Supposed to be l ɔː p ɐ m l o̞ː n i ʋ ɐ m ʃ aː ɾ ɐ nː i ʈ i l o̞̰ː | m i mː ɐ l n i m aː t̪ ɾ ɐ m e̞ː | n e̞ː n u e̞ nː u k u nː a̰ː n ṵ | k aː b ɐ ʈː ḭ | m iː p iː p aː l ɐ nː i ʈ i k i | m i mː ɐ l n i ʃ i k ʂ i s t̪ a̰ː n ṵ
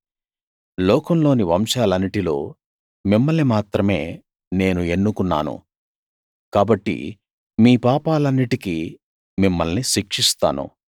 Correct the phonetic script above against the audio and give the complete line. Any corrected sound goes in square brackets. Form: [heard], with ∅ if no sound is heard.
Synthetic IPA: l ɔː [k] ɐ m l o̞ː n i ʋ ɐ m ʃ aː [l] ɐ nː i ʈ i l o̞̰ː | m i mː ɐ l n i m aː t̪ ɾ ɐ m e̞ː | n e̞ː n u e̞ nː u k u nː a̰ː n ṵ | k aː b ɐ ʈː ḭ | m iː p [aː] p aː l ɐ nː i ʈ i k i | m i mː ɐ l n i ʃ i k ʂ i s t̪ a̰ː n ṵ